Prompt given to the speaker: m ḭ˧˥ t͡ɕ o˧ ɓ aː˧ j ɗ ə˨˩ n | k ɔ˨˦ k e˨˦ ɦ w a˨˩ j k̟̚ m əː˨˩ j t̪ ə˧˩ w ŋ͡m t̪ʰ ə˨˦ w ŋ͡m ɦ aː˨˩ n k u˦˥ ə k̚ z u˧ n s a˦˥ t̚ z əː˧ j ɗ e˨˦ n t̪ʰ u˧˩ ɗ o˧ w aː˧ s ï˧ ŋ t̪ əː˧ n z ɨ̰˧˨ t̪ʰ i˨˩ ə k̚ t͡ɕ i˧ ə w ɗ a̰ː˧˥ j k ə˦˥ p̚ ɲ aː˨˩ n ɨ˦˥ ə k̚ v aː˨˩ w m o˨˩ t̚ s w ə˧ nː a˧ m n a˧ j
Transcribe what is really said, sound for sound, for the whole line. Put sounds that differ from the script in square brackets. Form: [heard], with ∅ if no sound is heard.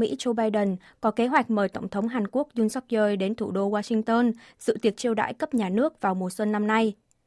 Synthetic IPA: m ḭ˧˥ t͡ɕ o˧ ɓ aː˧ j ɗ ə˨˩ n | k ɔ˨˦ k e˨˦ ɦ w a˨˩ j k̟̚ m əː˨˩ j t̪ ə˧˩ w ŋ͡m t̪ʰ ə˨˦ w ŋ͡m ɦ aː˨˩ n k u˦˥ ə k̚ z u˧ n s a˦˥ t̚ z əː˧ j ɗ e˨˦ n t̪ʰ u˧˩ ɗ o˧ w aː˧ s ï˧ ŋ t̪ əː˧ n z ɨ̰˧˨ [t̪] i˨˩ ə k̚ t͡ɕ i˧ ə w ɗ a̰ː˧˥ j k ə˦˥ p̚ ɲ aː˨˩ n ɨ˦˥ ə k̚ v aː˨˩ w m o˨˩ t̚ s w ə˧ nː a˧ m n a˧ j